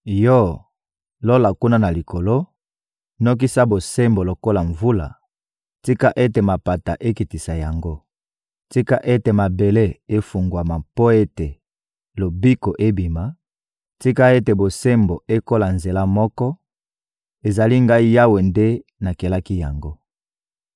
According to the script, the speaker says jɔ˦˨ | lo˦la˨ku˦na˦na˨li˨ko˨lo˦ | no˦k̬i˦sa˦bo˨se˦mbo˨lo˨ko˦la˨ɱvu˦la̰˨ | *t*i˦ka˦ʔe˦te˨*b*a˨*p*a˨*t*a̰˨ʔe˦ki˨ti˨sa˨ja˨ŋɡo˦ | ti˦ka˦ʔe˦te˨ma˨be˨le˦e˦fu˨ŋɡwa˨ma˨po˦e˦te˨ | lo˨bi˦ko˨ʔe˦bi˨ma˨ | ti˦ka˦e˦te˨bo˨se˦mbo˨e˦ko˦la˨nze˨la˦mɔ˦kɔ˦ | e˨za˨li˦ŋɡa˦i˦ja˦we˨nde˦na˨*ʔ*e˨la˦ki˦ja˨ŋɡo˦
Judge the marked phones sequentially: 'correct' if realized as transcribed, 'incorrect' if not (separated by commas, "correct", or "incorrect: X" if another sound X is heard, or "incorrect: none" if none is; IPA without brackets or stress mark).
correct, incorrect: m, correct, correct, incorrect: k